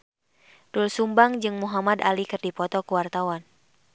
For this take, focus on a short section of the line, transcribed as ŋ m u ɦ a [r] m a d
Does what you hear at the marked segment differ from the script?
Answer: yes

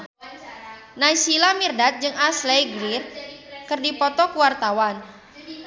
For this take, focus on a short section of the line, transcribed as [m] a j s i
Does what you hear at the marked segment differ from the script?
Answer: yes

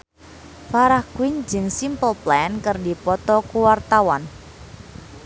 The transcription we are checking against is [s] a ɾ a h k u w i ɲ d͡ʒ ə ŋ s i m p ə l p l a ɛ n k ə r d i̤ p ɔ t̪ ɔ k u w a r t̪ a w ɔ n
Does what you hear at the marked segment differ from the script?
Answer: yes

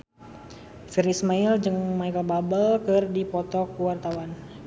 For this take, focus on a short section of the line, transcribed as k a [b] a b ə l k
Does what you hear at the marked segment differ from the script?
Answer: no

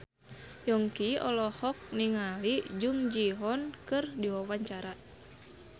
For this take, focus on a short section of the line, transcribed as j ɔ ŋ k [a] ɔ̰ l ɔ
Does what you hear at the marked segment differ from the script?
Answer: yes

